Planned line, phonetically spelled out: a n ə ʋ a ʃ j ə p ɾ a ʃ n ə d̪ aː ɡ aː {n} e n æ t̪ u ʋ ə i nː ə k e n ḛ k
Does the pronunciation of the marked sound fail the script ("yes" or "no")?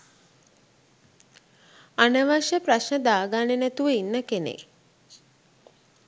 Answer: no